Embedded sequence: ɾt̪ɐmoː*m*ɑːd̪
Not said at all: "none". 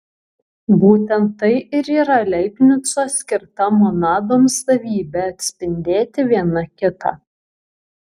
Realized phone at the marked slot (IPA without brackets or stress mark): n